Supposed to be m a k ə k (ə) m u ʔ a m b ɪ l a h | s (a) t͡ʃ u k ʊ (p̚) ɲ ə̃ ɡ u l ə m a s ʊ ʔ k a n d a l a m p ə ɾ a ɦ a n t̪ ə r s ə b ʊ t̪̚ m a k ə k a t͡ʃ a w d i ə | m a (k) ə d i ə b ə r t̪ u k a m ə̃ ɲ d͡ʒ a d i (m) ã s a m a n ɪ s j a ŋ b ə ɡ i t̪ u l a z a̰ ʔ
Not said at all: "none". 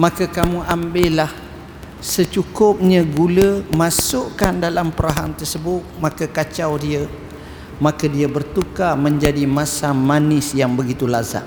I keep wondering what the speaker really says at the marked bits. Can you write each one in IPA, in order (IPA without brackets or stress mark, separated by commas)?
a, ə, p̚, k, m